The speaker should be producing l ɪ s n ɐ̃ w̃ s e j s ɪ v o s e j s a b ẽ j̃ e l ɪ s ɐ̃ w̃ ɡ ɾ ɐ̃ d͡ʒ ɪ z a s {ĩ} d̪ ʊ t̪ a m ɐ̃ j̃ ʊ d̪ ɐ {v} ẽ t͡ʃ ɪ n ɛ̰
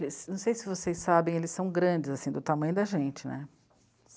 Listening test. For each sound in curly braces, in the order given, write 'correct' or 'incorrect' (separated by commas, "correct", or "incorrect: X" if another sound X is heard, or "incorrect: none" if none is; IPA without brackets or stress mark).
correct, incorrect: ʒ